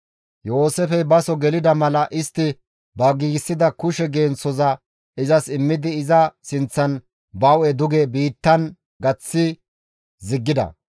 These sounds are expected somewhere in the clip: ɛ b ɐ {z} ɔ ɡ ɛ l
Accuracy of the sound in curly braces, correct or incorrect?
incorrect